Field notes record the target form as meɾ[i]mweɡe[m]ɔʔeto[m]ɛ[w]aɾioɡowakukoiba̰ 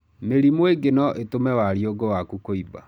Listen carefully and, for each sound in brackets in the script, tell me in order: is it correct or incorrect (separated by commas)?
correct, incorrect, correct, correct